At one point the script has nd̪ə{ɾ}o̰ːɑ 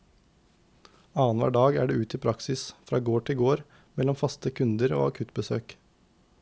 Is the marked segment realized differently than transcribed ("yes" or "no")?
no